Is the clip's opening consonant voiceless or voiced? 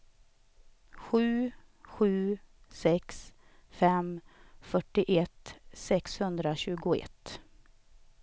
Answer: voiceless